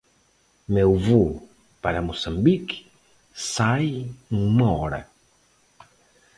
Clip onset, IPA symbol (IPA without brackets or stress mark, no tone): m